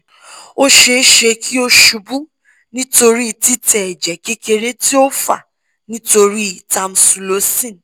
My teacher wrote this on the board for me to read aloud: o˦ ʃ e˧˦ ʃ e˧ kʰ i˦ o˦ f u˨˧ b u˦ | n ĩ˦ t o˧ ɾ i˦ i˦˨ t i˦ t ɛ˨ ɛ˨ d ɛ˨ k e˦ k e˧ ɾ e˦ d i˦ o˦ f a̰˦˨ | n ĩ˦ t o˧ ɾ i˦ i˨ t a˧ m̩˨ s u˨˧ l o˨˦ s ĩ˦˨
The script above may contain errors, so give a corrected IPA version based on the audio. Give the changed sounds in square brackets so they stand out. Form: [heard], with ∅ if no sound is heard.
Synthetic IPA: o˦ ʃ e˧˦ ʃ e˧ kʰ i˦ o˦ [ʃ] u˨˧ b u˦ | n ĩ˦ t o˧ ɾ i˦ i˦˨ t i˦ t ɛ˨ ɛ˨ [d͡ʒ] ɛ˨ k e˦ k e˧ ɾ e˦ [t] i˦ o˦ f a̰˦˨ | n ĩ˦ t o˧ ɾ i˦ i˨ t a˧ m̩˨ s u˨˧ l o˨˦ s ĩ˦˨